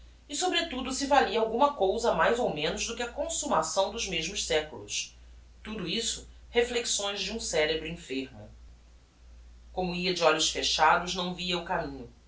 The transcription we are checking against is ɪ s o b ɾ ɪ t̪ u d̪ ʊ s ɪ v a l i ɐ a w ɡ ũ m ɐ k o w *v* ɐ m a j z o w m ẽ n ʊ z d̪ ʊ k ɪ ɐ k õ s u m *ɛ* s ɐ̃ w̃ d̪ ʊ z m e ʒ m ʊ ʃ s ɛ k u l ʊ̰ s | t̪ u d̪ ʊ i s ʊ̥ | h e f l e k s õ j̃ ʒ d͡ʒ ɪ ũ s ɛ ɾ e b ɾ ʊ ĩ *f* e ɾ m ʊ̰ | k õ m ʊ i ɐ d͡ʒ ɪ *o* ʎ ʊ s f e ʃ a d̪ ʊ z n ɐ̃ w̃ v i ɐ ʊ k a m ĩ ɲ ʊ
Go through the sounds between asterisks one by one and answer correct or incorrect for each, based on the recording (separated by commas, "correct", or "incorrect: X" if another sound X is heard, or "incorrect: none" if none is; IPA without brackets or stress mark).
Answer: incorrect: z, incorrect: a, correct, incorrect: ɔ